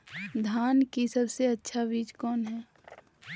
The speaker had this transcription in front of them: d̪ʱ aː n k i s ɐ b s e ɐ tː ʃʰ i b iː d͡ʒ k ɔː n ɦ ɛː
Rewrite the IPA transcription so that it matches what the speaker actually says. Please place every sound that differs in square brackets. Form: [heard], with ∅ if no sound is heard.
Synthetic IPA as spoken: d̪ʱ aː n k i s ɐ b s e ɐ tː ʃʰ [a] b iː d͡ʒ k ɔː n ɦ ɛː